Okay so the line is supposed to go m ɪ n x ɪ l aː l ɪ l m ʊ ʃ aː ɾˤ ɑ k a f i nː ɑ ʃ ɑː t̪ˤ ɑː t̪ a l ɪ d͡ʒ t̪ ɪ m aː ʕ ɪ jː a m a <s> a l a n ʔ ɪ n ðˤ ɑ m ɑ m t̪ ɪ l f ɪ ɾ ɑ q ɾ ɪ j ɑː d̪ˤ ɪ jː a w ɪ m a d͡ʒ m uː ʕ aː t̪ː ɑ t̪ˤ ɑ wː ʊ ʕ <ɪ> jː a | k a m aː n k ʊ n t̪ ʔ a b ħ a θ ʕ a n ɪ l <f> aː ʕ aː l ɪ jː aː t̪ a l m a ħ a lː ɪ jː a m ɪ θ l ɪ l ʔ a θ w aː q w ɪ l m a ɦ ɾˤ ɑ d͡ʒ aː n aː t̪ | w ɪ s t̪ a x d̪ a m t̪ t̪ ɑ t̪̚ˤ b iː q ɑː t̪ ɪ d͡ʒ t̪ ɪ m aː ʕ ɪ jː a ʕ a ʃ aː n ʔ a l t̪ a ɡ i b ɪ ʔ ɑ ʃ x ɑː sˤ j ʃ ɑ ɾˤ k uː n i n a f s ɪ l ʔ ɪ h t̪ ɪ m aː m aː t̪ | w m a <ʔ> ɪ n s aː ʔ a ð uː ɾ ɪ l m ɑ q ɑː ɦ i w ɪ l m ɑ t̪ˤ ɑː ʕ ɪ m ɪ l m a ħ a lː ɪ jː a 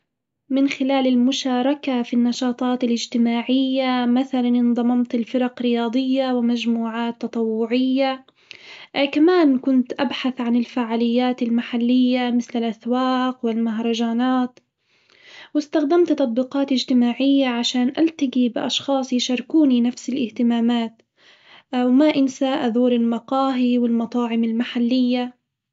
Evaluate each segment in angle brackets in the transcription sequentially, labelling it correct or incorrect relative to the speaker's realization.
incorrect: θ, correct, correct, correct

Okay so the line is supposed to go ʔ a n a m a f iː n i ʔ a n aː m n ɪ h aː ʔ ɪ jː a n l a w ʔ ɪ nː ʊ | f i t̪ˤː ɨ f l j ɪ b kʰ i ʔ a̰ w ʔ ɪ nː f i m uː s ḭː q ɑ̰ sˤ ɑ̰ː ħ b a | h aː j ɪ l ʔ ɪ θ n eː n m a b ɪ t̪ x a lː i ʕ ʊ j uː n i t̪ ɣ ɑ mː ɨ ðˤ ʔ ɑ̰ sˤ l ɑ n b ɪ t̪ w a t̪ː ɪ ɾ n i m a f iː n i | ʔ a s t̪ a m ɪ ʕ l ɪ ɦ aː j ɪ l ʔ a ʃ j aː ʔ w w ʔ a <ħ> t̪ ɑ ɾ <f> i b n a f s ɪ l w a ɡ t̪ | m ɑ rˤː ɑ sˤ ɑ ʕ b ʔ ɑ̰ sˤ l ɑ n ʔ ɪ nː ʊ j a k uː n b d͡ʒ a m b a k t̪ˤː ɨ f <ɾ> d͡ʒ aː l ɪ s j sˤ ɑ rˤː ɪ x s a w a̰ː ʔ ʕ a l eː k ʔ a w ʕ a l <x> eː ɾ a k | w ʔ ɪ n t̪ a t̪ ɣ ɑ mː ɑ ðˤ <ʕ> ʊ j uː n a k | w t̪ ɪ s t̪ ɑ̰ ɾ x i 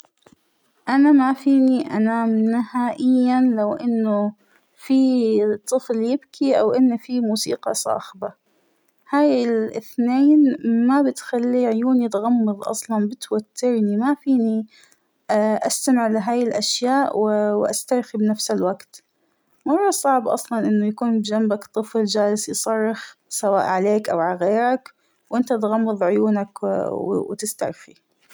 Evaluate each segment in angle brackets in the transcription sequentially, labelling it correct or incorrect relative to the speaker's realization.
incorrect: s, incorrect: x, incorrect: l, incorrect: ɣ, correct

